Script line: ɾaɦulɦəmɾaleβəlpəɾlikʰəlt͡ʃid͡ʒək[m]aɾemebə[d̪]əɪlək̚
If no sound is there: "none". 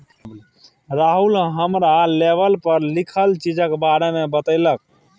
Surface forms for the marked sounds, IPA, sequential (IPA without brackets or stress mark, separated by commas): b, t̪